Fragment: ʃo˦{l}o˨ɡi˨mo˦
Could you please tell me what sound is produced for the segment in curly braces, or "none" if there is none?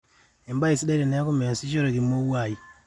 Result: ɾ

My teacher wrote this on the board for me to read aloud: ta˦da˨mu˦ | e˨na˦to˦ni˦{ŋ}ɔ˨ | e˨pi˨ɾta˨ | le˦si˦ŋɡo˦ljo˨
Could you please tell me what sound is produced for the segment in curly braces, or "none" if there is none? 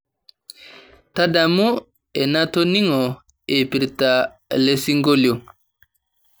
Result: ŋ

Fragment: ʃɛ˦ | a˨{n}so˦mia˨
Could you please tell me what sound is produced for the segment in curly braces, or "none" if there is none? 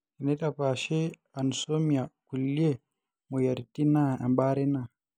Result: n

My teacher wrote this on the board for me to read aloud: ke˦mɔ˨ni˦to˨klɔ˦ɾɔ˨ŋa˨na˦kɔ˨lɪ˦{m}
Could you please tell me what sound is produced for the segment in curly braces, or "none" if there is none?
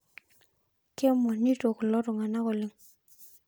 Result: ŋ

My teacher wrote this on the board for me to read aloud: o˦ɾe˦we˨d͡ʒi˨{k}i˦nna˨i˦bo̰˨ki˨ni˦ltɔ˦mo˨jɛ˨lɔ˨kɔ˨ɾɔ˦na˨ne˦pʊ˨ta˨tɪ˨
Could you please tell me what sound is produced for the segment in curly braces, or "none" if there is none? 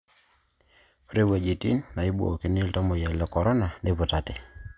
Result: t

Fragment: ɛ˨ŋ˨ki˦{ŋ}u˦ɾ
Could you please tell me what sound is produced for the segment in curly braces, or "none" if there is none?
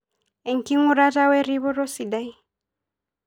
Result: ŋ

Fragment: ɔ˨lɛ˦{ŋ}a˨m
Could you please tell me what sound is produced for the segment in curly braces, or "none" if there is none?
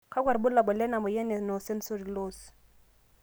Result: n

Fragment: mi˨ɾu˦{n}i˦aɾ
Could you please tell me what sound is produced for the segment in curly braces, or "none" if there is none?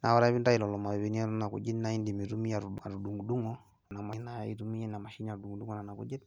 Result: m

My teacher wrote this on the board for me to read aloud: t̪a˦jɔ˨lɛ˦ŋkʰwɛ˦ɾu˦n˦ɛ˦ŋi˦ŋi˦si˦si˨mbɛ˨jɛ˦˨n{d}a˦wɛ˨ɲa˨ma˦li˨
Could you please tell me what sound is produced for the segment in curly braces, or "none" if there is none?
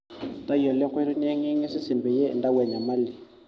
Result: d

